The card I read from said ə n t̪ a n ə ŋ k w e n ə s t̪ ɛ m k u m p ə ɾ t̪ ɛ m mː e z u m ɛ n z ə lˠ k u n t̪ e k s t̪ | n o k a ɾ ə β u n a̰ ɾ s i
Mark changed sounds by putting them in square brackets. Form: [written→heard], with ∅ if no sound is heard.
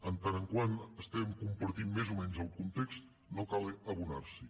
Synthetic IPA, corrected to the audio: ə n t̪ a n ə ŋ k w [e→a] n ə s t̪ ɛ m k u m p ə ɾ t̪ [ɛ→i] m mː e z u m ɛ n z ə lˠ k u n t̪ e k s t̪ | n o k a [ɾ→l] ə β u n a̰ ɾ s i

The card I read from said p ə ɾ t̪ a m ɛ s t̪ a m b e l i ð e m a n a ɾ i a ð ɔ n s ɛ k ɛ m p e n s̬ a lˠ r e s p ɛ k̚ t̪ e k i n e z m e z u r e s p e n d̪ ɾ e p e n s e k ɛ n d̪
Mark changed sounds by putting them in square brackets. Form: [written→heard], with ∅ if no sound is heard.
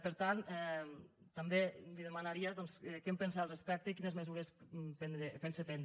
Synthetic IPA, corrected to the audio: p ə ɾ t̪ a [m→n] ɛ [s→∅] t̪ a m b e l i ð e m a n a ɾ i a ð ɔ n s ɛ k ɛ m p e n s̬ a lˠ r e s p ɛ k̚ t̪ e k i n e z m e z u [r→ɾ] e s p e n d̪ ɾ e p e n s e [k→p] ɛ n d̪

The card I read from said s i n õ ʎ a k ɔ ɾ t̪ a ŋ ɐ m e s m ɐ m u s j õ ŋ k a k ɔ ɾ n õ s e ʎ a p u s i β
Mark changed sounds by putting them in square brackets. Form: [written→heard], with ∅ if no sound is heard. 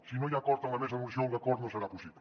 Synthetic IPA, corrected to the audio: s i n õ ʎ a k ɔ ɾ t̪ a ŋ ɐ m e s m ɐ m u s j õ ŋ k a k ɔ ɾ n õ s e [ʎ→ɾ] a p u s i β

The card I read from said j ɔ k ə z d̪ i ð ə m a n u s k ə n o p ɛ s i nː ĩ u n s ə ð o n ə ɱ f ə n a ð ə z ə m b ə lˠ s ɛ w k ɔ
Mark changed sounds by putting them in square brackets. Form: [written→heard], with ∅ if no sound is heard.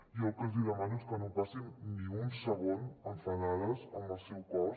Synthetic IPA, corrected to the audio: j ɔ k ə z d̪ i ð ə m a n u s k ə n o p [ɛ→a] s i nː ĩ u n s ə [ð→ɣ] o n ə ɱ f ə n a ð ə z ə m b ə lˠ s ɛ w k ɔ

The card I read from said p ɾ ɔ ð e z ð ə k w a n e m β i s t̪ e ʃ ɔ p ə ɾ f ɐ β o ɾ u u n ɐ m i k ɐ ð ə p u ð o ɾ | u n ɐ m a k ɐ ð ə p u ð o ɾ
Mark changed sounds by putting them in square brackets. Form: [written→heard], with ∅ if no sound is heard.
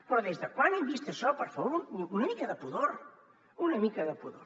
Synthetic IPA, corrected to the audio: p ɾ ɔ ð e z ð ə k w a n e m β i s t̪ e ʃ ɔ p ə ɾ f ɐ β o ɾ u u n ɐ m i k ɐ ð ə p u ð o ɾ | u n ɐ m [a→i] k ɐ ð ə p u ð o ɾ

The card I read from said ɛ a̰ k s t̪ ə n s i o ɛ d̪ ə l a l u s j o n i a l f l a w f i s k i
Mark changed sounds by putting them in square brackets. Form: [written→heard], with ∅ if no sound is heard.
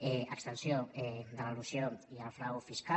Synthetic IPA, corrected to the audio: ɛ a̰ k s t̪ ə n s [i→j] o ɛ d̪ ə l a l u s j o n i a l f [l→ɾ] a w f i s k [i→a]

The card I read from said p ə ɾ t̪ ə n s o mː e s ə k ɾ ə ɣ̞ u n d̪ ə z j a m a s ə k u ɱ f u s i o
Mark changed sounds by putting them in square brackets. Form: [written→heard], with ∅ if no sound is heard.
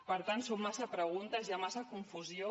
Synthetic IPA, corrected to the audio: p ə ɾ t̪ [ə→a] n s o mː [e→a] s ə [k→p] ɾ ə ɣ̞ u n [d̪→t̪] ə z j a m a s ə k u ɱ f u [s→z] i o

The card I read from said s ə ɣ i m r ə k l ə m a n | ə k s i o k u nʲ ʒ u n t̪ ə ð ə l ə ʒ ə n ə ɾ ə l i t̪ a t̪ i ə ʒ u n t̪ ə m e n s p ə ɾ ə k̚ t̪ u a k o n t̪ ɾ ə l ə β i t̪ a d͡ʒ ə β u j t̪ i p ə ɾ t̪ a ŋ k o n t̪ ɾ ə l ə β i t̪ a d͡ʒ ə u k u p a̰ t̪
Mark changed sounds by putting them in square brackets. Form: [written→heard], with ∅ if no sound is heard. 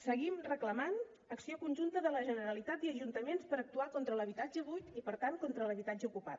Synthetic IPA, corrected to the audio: s ə ɣ i m r ə k l ə m a n | ə k s i o k u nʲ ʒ u n t̪ ə ð ə l ə ʒ ə n ə ɾ ə l i t̪ a t̪ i ə ʒ u n t̪ ə m e n s p ə ɾ ə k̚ t̪ u a k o n t̪ ɾ ə l ə β i t̪ a d͡ʒ ə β u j t̪ i p ə ɾ t̪ a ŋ k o n t̪ ɾ ə l ə β i t̪ a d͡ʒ ə u k u p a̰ t̪

